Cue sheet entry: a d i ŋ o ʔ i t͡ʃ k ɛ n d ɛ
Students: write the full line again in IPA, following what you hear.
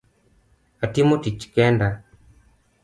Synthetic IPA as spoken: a t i m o t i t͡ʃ k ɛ n d a